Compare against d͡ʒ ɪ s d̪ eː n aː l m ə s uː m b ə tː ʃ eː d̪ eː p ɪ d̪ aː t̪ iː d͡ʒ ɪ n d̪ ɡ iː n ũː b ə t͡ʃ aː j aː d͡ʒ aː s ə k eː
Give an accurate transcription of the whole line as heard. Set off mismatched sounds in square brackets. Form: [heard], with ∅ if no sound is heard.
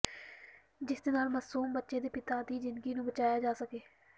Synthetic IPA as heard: d͡ʒ ɪ s d̪ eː n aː l m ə s uː m b ə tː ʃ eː d̪ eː p ɪ [t̪] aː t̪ iː d͡ʒ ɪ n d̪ ɡ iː n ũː b ə t͡ʃ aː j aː d͡ʒ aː s ə k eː